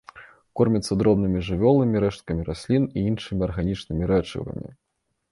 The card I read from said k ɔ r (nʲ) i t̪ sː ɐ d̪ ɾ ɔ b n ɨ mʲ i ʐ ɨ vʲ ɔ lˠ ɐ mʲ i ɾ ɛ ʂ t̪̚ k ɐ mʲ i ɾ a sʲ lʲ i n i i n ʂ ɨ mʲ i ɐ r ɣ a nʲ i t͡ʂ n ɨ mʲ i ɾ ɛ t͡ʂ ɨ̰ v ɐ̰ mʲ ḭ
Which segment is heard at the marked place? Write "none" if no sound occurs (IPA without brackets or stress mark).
mʲ